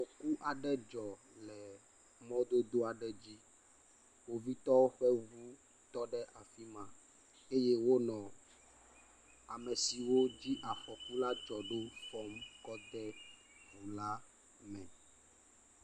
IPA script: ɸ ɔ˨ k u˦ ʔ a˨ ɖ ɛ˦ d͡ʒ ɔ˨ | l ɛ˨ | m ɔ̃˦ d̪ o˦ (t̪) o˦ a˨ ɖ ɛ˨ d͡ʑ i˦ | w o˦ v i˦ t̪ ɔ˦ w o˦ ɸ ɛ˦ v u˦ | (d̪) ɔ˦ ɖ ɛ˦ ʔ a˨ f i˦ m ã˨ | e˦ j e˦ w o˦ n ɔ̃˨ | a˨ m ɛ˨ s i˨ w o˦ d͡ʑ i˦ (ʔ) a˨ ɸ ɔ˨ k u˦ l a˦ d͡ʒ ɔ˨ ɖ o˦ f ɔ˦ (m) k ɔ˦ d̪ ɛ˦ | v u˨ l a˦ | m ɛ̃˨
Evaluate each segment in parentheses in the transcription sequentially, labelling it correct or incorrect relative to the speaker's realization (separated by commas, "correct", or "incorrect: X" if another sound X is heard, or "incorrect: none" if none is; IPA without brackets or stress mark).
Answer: incorrect: d̪, incorrect: t̪, correct, correct